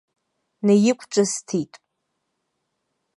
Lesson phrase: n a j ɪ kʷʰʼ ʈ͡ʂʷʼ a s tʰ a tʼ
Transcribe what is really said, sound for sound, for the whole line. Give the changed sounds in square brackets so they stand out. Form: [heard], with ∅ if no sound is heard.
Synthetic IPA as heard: n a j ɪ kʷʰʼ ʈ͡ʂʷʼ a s tʰ [i] tʼ